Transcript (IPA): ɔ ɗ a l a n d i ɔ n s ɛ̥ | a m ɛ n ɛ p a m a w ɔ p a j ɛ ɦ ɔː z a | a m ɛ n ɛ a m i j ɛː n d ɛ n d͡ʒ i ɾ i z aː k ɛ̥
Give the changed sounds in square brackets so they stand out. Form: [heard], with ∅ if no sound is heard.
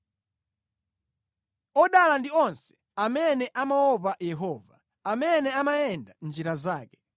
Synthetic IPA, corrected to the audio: ɔ ɗ a l a n d i ɔ n s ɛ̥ | a m ɛ n ɛ [ʔ] a m a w ɔ p a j ɛ ɦ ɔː [v] a | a m ɛ n ɛ a m [a] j [ɛ] n d [a] n d͡ʒ i ɾ [a] z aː k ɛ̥